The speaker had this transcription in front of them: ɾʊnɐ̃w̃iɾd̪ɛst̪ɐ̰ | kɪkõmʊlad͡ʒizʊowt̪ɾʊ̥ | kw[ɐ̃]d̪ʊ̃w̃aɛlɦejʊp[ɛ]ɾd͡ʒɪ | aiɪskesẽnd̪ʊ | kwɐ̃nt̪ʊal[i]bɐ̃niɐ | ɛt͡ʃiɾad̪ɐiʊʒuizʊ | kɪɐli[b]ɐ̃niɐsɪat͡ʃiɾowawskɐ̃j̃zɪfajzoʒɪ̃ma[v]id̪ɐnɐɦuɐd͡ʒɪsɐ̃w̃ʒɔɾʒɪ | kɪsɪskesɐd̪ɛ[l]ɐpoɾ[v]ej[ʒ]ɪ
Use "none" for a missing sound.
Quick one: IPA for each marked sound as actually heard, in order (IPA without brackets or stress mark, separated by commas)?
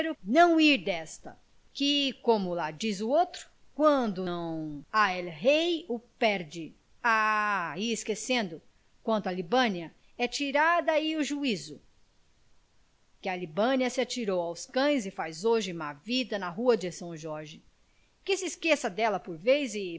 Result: ɐ̃, ɛ, i, b, v, l, v, z